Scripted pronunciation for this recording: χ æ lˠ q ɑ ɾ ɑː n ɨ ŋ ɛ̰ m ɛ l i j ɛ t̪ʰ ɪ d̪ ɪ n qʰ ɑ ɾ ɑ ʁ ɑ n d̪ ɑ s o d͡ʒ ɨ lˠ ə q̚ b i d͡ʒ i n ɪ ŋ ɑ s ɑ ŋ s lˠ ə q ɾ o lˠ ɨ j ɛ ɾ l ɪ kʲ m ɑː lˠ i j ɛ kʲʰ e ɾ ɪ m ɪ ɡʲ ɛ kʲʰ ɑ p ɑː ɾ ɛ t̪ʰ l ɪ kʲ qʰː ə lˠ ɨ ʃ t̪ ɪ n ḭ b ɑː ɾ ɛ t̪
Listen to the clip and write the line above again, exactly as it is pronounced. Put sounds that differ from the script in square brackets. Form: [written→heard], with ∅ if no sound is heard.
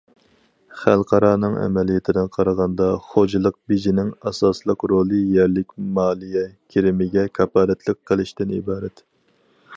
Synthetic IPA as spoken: χ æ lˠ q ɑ ɾ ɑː n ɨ ŋ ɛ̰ m ɛ l i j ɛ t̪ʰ ɪ d̪ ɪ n qʰ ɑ ɾ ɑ ʁ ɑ n d̪ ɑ [s→χ] o d͡ʒ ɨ lˠ ə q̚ b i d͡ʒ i n ɪ ŋ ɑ s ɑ [ŋ→∅] s lˠ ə q ɾ o lˠ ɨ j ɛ ɾ l ɪ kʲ m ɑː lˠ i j ɛ kʲʰ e ɾ ɪ m ɪ ɡʲ ɛ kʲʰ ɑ p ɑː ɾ ɛ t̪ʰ l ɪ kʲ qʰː ə lˠ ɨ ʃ t̪ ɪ n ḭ b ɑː ɾ ɛ t̪